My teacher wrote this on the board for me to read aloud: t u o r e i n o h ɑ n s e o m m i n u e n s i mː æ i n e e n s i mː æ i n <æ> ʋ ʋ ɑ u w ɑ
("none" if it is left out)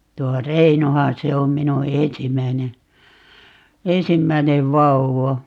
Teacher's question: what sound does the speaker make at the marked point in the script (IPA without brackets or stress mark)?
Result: e